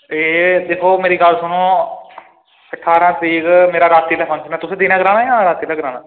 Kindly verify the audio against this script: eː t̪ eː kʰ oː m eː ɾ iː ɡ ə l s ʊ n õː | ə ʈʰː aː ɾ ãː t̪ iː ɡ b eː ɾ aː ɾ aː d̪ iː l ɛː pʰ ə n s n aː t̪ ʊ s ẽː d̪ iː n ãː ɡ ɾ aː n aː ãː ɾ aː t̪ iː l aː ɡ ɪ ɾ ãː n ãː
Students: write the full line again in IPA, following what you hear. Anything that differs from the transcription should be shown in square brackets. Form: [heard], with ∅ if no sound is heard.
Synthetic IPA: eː [d̪] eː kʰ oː m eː ɾ iː ɡ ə l s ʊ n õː | ə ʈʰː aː ɾ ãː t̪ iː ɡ [m] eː ɾ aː ɾ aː [t̪] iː l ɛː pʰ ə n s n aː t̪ ʊ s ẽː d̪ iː n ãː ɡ ɾ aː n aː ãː ɾ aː t̪ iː l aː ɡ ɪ ɾ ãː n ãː